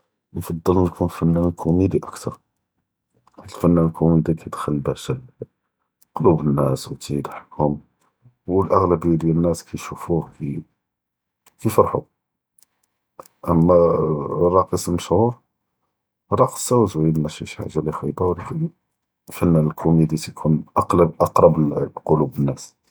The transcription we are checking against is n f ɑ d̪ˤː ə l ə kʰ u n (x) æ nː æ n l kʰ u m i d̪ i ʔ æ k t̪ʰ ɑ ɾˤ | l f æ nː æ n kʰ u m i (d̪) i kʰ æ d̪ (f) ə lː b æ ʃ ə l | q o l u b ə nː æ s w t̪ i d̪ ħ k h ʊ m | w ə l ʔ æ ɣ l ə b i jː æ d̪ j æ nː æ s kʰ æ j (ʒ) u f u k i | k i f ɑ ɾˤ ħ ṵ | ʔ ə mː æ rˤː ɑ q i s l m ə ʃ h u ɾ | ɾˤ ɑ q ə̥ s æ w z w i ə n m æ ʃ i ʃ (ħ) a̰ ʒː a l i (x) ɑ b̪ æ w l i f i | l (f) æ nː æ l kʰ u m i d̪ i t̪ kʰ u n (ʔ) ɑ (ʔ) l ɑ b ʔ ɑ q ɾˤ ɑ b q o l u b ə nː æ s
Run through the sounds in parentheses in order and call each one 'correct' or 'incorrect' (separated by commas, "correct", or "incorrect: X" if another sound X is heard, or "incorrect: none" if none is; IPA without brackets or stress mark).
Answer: incorrect: f, correct, incorrect: x, incorrect: ʃ, correct, correct, correct, correct, incorrect: q